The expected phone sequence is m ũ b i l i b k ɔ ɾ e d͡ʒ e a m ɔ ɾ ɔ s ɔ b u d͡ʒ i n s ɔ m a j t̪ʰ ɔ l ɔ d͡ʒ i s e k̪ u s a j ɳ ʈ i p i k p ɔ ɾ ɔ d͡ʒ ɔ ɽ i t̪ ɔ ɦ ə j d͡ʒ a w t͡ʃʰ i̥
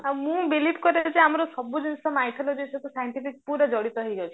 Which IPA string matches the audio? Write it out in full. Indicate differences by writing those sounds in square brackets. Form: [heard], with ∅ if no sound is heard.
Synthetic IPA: m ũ b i l i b k ɔ ɾ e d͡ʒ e a m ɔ ɾ ɔ s ɔ b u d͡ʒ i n s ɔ m a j t̪ʰ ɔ l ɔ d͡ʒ i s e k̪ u s a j ɳ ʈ i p i k p [u] ɾ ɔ d͡ʒ ɔ ɽ i t̪ ɔ ɦ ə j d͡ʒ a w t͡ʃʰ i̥